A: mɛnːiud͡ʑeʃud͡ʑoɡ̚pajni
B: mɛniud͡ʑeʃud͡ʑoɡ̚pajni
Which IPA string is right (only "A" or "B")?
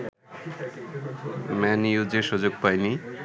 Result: B